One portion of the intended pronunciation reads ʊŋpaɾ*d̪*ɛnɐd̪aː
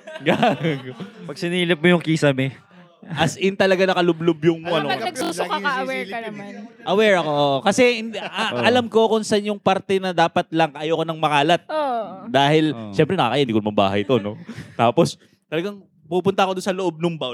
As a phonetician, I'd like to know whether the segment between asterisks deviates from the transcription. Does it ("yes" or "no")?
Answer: yes